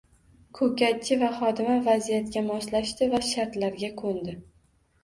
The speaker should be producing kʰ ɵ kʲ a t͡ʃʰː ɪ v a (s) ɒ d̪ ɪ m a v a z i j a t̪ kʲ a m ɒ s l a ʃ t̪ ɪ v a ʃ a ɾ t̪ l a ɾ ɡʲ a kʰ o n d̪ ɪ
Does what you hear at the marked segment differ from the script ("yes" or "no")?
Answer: yes